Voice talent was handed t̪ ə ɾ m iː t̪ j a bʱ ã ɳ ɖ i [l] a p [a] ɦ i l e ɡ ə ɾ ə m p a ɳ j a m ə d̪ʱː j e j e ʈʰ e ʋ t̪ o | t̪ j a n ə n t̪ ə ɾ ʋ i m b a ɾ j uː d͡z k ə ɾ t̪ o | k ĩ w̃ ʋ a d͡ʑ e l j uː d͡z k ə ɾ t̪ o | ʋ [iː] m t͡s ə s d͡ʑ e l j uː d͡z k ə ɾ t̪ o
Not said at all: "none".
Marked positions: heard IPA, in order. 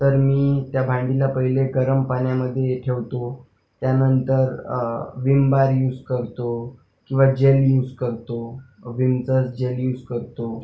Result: l, ə, i

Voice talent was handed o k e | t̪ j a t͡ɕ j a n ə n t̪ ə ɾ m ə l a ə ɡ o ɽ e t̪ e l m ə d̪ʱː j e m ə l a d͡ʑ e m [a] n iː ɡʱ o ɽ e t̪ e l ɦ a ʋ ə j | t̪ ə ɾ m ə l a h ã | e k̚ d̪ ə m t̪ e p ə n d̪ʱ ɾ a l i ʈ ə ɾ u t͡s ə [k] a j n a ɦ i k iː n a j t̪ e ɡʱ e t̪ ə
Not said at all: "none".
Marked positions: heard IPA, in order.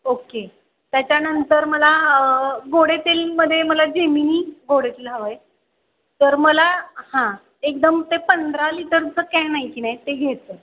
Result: i, k

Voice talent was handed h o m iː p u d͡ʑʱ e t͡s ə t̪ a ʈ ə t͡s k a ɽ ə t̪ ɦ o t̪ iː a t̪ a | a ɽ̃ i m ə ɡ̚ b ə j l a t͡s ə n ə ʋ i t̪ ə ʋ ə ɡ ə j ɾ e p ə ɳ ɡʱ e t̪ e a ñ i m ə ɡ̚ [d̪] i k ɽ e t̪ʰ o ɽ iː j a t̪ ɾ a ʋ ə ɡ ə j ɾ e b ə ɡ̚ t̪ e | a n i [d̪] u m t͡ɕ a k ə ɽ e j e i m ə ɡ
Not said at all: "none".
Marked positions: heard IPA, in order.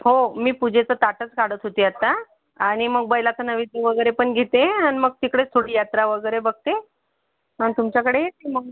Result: t̪, t̪

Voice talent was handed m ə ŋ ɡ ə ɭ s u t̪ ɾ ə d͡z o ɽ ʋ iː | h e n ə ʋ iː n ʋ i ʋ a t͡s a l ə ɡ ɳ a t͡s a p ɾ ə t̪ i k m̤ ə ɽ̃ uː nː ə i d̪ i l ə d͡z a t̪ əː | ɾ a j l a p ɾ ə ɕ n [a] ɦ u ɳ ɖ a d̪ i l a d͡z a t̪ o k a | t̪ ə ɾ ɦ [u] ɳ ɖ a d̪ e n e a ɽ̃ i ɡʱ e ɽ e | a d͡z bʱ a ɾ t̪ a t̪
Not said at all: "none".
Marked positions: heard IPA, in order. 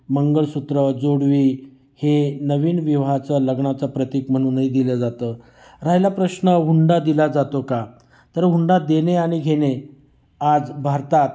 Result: ə, u

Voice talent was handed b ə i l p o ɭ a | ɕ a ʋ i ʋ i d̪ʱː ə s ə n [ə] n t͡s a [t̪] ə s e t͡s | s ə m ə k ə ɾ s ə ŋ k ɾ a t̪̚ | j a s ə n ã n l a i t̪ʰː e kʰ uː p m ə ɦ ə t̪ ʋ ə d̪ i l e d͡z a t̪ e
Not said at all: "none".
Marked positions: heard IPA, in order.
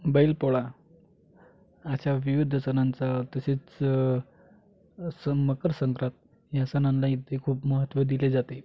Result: a, t̪

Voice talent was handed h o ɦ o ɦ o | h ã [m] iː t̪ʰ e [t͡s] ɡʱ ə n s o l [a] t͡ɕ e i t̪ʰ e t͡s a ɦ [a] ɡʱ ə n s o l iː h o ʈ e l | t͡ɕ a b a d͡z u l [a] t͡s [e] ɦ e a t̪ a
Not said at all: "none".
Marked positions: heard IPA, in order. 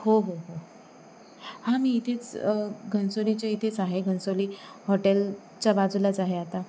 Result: m, t͡s, i, e, a, a

